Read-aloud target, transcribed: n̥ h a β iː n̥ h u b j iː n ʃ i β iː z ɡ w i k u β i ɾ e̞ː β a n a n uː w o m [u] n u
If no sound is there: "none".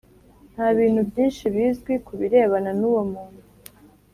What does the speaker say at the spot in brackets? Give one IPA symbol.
uː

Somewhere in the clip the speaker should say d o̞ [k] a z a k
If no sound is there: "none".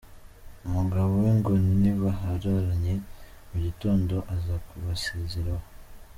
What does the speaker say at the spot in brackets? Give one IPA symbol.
ʔ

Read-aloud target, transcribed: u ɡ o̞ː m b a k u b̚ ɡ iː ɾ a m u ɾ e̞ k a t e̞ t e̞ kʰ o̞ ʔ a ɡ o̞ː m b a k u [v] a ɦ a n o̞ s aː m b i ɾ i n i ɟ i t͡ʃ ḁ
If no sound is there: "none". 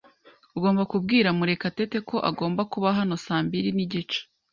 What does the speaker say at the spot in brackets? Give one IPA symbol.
β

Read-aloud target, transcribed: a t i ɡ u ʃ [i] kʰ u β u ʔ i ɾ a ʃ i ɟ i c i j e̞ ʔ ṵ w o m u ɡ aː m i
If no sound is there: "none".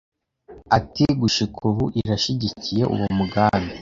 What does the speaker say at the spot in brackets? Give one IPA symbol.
i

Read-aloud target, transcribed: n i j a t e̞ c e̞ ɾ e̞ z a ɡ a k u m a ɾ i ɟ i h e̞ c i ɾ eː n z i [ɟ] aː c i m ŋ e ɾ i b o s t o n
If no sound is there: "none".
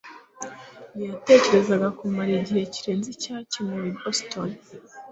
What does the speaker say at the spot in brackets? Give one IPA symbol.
c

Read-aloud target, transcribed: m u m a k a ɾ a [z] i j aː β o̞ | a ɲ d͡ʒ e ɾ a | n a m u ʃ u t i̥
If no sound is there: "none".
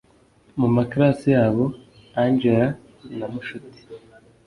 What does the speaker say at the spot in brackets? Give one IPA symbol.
s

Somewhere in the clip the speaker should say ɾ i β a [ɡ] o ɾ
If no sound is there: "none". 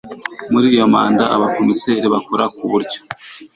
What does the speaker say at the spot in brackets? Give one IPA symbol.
k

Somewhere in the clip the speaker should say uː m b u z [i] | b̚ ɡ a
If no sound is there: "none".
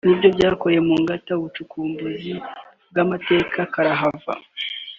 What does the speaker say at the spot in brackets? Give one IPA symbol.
i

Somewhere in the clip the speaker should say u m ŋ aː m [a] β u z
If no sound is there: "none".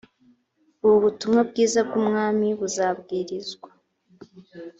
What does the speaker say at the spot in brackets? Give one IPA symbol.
i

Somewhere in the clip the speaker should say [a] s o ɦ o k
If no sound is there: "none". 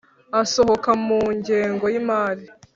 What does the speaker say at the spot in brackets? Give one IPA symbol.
a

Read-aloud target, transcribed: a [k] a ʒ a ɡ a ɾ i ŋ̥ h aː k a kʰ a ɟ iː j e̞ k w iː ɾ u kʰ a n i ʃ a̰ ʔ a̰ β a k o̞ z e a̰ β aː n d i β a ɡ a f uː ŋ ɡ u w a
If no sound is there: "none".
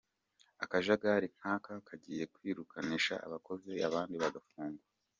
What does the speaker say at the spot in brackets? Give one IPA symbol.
k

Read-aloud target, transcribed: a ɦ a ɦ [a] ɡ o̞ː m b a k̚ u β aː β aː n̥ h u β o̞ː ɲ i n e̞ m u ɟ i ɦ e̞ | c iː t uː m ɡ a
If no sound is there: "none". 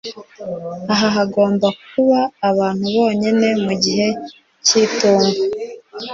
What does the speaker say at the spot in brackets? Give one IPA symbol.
a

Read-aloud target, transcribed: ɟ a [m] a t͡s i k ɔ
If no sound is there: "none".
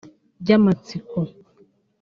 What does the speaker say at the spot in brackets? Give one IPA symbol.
m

